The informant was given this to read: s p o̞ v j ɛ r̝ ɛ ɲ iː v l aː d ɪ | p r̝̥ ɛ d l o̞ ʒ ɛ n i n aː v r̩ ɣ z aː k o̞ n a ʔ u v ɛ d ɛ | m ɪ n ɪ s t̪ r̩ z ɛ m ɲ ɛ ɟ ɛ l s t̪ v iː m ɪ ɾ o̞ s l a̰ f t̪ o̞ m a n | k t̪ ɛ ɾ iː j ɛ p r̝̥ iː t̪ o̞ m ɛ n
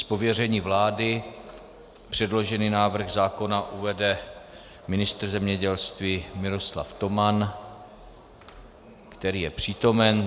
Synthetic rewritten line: s p o̞ v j ɛ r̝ ɛ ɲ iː v l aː d ɪ | p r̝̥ ɛ d l o̞ ʒ ɛ n i n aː v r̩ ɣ z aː k o̞ n a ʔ u v ɛ d ɛ | m ɪ n ɪ s t̪ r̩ z ɛ m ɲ ɛ ɟ ɛ l s t̪ v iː m ɪ ɾ o̞ s l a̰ f t̪ o̞ m a n | k t̪ ɛ ɾ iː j ɛ p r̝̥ iː t̪ o̞ m ɛ n